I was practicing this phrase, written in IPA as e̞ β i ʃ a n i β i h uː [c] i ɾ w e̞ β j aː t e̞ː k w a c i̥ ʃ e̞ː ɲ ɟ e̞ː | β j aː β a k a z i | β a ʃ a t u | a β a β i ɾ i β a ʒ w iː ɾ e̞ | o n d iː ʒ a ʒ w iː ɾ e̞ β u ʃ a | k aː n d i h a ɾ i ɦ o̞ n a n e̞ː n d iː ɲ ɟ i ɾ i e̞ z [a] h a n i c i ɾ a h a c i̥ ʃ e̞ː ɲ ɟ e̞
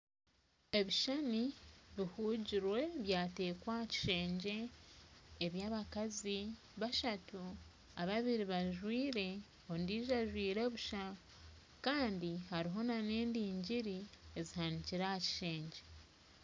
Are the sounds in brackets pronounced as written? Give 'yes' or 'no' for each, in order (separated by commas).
no, no